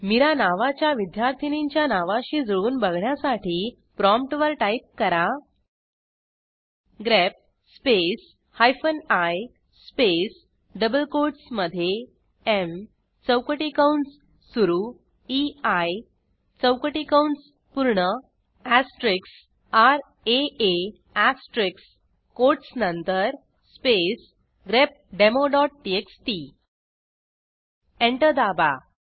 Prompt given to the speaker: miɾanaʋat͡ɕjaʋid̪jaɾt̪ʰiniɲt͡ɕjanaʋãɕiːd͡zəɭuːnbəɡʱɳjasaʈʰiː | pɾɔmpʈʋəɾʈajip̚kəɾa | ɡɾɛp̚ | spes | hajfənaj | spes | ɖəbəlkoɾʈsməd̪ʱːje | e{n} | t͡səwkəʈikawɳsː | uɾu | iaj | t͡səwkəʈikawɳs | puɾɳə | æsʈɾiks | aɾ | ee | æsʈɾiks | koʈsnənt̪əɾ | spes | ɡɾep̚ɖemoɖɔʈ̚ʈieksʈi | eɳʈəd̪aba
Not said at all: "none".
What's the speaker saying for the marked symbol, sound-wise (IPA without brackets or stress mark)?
m